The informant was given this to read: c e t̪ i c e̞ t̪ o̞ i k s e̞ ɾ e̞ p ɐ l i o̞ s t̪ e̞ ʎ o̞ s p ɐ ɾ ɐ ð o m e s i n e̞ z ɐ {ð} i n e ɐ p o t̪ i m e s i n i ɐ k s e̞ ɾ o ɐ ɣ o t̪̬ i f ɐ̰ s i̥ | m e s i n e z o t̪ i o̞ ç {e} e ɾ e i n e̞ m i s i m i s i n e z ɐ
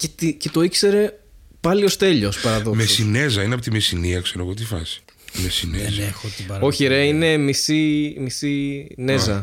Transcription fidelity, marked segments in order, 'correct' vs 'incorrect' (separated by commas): incorrect, incorrect